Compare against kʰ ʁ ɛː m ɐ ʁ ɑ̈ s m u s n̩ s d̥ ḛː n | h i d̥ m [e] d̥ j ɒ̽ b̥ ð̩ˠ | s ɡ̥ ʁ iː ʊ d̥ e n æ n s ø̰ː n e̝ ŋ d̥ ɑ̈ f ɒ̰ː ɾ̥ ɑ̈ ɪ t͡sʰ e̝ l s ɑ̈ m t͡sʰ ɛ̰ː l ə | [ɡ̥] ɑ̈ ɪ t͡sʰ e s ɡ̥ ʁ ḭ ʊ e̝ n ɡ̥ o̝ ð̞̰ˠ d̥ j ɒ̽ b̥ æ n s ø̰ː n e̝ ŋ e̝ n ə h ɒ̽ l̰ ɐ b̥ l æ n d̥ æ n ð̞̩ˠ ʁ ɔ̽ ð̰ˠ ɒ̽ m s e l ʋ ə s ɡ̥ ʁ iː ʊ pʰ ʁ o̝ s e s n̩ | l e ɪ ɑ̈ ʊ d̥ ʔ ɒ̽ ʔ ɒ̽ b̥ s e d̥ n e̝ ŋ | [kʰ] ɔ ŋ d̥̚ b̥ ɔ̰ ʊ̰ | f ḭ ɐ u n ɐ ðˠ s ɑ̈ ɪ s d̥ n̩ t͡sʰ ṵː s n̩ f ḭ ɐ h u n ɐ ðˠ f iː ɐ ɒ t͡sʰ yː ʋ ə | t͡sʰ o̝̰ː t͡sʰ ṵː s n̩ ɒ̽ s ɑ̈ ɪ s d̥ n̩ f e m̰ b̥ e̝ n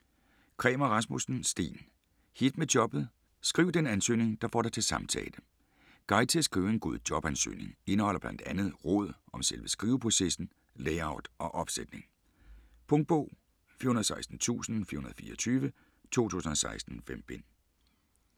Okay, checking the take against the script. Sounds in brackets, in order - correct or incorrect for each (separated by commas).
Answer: correct, correct, incorrect